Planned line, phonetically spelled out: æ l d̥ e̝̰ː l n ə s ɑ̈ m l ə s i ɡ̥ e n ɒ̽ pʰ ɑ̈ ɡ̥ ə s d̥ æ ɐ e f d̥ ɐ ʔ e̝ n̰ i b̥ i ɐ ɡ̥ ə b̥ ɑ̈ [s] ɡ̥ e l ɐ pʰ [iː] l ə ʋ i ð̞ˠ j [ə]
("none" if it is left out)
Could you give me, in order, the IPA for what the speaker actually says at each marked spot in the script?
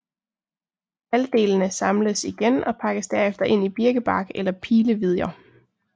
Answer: none, iː, ɐ

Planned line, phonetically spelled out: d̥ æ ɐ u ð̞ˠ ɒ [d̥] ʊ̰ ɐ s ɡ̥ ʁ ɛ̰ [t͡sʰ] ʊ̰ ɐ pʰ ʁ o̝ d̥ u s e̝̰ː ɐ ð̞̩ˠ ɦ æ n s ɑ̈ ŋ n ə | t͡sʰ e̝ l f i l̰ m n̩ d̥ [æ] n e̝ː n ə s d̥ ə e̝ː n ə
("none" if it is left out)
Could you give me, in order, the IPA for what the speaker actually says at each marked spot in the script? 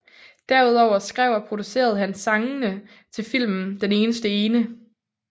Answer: none, none, e

